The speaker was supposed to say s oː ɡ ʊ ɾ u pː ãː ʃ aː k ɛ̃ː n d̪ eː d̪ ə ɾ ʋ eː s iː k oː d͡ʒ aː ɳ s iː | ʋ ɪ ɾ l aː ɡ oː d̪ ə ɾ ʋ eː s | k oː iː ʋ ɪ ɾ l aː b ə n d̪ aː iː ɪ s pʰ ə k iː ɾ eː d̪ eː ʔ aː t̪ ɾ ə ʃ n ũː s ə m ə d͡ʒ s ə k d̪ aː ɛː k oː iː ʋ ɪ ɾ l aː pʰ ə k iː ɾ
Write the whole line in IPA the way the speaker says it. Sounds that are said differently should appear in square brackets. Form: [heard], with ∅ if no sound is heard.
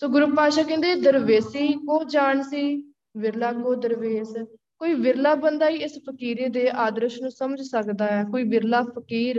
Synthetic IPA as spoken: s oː ɡ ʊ ɾ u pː [aː] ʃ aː k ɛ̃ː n d̪ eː d̪ ə ɾ ʋ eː s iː k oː d͡ʒ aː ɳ s iː | ʋ ɪ ɾ l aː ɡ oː d̪ ə ɾ ʋ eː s | k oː iː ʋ ɪ ɾ l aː b ə n d̪ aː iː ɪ s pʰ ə k iː ɾ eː d̪ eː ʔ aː [d̪] ɾ ə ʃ n ũː s ə m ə d͡ʒ s ə k d̪ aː ɛː k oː iː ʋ ɪ ɾ l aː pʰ ə k iː ɾ